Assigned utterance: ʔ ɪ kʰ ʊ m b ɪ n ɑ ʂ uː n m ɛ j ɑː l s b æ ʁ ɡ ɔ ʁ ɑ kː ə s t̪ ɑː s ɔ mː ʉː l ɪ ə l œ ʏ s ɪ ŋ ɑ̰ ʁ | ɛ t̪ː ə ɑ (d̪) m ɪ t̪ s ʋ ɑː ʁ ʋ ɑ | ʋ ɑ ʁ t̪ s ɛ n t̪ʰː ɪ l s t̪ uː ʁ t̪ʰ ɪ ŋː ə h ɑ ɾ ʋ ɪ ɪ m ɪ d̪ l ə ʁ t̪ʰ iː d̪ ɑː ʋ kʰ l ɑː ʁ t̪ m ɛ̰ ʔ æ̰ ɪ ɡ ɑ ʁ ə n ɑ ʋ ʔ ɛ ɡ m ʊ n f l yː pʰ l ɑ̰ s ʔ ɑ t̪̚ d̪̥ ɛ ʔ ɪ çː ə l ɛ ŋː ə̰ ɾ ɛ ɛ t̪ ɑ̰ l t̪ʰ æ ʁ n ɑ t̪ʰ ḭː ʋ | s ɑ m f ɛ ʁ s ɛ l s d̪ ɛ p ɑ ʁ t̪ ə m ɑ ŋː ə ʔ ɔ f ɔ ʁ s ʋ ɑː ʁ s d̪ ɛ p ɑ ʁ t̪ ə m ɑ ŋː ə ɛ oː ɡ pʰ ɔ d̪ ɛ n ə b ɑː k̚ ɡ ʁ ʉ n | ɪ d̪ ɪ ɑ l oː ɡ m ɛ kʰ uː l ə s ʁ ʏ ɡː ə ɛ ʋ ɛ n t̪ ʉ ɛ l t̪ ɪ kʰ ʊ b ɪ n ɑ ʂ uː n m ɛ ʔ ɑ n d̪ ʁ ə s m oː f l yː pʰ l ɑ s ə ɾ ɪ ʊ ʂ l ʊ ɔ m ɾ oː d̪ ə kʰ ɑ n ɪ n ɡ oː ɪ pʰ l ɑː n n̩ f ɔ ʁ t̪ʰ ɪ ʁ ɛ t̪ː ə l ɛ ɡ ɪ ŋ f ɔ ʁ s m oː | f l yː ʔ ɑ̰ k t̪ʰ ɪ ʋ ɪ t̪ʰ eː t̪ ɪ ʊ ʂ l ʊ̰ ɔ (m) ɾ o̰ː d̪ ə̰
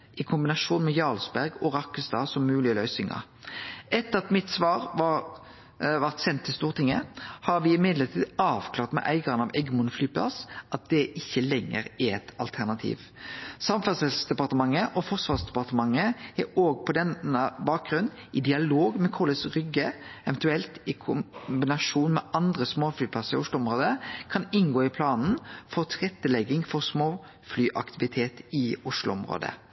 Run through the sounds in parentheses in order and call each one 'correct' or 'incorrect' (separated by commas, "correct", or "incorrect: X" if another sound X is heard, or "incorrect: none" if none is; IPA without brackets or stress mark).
incorrect: t̪, correct